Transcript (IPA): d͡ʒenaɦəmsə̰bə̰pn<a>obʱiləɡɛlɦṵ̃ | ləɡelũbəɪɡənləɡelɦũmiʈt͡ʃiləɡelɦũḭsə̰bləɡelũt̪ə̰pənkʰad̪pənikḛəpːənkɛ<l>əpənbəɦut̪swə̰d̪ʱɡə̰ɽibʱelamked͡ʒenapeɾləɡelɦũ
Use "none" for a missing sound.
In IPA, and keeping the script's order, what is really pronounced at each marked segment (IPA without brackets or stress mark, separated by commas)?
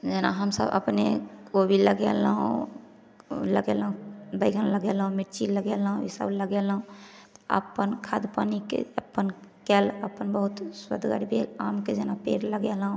e, l